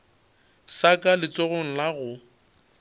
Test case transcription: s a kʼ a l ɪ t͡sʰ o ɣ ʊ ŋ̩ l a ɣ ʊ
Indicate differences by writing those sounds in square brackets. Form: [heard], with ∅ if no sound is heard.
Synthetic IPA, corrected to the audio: s a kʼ a l ɪ [t͡s] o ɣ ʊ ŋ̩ l a ɣ ʊ